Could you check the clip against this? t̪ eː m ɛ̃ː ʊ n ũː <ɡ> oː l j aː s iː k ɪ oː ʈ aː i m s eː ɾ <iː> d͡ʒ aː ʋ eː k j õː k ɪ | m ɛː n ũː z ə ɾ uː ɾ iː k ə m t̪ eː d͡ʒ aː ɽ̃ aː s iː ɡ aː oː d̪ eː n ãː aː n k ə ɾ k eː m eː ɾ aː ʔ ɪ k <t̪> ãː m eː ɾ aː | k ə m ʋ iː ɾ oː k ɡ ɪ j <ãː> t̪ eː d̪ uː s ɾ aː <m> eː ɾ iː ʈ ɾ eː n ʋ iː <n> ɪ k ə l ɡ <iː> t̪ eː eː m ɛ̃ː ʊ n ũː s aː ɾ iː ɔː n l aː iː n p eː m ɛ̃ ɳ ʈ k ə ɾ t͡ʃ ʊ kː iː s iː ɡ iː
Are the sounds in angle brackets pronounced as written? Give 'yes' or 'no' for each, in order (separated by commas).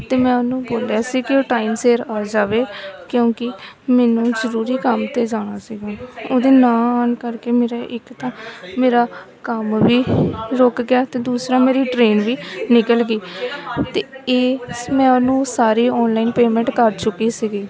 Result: no, no, yes, no, yes, yes, yes